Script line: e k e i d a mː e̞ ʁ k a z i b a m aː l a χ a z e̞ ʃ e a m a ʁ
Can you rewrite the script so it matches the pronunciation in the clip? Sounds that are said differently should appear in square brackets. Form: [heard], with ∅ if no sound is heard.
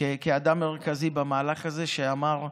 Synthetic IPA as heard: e k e [a] d a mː e̞ ʁ k a z i b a m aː l a χ a z e̞ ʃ e a m a ʁ